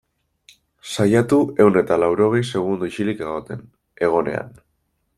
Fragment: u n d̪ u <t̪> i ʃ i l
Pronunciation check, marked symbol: incorrect: none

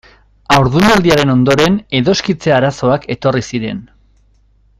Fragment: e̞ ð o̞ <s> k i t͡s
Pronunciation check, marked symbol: correct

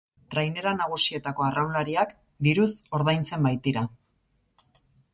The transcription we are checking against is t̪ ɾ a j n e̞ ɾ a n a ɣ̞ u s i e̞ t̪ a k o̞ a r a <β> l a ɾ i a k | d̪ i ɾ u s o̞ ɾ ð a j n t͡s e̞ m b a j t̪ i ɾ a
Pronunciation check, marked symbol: incorrect: w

